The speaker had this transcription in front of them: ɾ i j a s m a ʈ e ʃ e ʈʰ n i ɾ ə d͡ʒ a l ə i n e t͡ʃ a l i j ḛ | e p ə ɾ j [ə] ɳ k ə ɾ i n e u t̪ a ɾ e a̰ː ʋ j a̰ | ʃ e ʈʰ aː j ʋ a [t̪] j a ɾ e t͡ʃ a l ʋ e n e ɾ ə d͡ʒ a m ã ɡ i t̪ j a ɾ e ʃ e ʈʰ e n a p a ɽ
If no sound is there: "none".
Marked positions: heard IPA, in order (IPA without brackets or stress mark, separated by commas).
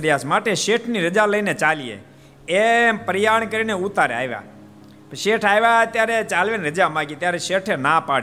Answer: a, t̪